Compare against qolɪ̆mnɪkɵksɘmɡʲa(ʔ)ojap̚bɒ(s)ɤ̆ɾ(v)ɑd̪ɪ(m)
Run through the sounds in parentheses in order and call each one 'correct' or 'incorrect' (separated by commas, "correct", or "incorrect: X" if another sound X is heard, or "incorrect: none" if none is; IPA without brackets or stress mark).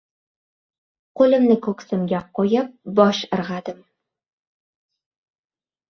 incorrect: q, incorrect: ʃ, incorrect: ʁ, correct